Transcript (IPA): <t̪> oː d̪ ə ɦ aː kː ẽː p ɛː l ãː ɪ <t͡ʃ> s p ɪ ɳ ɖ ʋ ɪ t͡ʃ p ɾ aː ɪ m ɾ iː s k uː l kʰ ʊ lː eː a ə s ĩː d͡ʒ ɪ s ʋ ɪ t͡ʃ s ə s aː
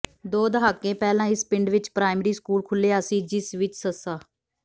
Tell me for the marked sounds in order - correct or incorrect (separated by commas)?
incorrect, incorrect